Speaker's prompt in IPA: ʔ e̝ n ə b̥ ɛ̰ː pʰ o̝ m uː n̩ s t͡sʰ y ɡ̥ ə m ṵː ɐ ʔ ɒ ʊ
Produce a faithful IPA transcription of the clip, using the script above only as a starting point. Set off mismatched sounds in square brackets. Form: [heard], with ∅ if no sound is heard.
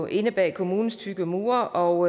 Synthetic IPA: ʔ e̝ n ə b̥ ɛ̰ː [kʰ] o̝ m uː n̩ s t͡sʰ y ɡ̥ ə m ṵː ɐ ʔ ɒ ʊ